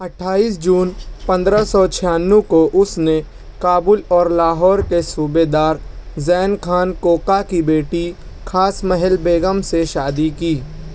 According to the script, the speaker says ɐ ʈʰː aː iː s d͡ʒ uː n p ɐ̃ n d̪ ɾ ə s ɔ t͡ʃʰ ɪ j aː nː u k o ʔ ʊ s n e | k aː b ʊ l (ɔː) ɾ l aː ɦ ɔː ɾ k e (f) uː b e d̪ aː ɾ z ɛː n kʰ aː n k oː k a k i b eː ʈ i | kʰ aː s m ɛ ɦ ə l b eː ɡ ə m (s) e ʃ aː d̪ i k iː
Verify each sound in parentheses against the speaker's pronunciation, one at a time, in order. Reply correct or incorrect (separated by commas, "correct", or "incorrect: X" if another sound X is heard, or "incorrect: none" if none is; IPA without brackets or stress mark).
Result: correct, incorrect: s, correct